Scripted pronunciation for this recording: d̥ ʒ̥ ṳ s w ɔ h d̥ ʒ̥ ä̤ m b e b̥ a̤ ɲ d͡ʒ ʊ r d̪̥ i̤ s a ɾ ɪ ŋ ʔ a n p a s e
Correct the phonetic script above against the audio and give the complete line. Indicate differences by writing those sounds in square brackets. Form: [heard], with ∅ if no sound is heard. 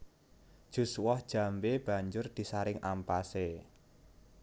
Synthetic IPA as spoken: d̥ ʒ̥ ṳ s w ɔ h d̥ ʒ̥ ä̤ m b e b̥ a̤ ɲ d͡ʒ ʊ r d̪̥ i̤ s a ɾ ɪ ŋ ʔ a [m] p a s e